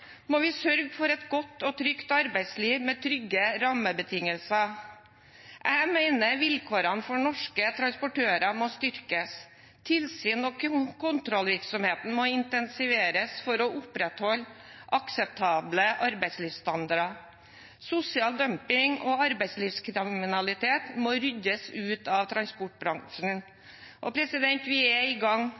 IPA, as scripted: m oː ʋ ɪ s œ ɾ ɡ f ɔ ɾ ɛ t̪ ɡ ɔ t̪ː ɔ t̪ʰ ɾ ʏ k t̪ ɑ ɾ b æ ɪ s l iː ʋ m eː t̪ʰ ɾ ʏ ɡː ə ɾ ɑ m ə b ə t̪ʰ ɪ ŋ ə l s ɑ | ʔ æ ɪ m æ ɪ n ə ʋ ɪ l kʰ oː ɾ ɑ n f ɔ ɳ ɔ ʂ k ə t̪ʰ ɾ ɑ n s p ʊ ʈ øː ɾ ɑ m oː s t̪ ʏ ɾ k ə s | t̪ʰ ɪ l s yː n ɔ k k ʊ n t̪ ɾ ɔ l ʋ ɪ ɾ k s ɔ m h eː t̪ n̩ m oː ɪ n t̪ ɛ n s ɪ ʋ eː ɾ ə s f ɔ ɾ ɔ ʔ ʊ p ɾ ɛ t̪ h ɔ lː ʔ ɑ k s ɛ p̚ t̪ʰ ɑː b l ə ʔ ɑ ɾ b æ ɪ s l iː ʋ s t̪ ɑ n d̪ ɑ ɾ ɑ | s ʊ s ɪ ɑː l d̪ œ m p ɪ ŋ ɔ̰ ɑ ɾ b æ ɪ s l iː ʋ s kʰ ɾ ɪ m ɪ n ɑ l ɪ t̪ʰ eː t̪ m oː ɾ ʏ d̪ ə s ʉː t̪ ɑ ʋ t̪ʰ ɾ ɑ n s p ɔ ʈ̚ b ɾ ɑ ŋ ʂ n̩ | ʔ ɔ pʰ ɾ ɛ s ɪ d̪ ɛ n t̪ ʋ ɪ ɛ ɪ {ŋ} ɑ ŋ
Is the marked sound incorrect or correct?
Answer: incorrect: ɡ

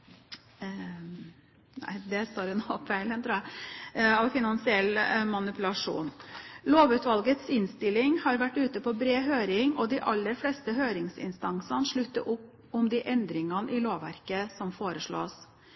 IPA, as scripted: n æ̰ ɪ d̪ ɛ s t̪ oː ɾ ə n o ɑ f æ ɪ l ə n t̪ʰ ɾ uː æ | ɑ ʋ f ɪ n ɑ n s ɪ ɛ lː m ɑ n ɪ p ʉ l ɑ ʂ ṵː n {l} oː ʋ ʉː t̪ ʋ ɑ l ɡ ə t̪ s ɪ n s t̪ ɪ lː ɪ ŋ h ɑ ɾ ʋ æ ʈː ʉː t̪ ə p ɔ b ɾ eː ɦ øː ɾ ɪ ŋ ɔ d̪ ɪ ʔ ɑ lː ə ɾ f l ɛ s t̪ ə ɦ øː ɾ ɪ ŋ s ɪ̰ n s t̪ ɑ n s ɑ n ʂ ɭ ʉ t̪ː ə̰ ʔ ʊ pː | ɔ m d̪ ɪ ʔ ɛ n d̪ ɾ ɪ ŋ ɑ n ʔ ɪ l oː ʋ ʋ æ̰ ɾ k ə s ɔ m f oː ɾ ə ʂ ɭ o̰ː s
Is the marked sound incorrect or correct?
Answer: correct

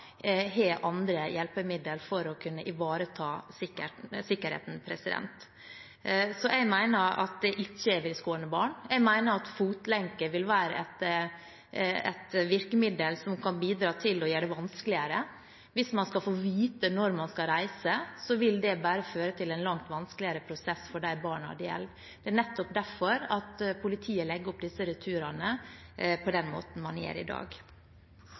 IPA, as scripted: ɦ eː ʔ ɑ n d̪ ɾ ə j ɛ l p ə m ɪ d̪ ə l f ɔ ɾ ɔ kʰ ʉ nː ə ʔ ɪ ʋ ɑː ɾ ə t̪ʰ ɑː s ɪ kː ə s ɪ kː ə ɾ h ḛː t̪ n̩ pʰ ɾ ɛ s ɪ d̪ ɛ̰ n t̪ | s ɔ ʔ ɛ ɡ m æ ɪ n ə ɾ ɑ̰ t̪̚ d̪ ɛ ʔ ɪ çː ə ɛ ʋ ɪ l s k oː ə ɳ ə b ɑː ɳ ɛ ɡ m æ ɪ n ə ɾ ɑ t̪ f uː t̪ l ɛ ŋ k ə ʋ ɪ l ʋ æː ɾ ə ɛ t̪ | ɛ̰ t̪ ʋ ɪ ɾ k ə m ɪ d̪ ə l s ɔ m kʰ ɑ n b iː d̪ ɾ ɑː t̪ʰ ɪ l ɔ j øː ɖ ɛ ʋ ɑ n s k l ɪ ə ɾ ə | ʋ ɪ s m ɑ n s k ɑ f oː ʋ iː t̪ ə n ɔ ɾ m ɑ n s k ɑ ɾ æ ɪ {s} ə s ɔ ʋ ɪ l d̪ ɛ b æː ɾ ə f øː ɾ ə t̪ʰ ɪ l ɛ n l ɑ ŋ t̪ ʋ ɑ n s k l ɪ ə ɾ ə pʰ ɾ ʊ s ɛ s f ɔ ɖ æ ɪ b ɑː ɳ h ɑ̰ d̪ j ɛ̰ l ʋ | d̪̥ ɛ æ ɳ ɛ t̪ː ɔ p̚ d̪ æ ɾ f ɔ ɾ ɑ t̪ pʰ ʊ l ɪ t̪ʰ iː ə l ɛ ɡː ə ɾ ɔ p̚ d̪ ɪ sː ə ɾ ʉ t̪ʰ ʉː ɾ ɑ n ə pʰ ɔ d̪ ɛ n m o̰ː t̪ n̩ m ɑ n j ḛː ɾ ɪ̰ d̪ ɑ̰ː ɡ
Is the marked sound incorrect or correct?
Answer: correct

